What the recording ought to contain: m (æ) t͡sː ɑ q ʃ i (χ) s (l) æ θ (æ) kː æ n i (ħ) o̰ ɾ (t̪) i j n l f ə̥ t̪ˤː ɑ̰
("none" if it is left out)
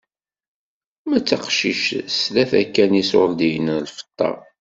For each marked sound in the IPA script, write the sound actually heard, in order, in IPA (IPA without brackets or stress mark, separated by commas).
æ, ʃ, l, æ, s, d̪